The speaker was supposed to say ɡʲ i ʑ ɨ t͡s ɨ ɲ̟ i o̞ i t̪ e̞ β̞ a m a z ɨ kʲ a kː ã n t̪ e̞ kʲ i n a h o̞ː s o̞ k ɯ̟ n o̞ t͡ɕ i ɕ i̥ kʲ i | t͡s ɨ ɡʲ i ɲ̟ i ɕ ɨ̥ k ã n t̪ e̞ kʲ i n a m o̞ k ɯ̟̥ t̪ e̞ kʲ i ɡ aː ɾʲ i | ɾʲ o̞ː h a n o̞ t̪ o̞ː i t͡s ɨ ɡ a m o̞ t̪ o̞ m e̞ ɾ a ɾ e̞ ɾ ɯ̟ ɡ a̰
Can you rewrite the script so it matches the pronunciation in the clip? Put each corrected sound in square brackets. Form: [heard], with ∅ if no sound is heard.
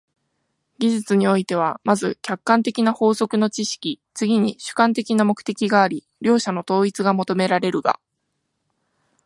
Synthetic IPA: ɡʲ i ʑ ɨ t͡s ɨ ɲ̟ i o̞ i t̪ e̞ β̞ a m a z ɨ kʲ a kː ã n t̪ e̞ kʲ i n a h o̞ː s o̞ k ɯ̟ n o̞ t͡ɕ i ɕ i̥ kʲ i | t͡s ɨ ɡʲ i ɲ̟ i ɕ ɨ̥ k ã n t̪ e̞ kʲ i n a m o̞ k ɯ̟̥ t̪ e̞ kʲ i ɡ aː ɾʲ i | ɾʲ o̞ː [ɕ] a n o̞ t̪ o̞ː i t͡s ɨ ɡ a m o̞ t̪ o̞ m e̞ ɾ a ɾ e̞ ɾ ɯ̟ ɡ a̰